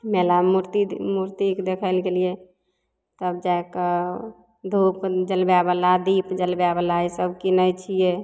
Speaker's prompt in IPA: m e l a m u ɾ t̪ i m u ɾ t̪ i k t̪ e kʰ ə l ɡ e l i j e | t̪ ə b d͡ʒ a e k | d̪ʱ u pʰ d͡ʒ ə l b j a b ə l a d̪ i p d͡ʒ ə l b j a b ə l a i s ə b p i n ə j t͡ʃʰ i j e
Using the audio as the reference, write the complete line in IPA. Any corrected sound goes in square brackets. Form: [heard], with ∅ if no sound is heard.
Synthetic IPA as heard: m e l a m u ɾ t̪ i m u ɾ t̪ i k [d̪] e kʰ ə l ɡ e l i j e | t̪ ə b d͡ʒ a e k | d̪ʱ u [p] d͡ʒ ə l b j a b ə l a d̪ i p d͡ʒ ə l b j a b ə l a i s ə b [k] i n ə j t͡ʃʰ i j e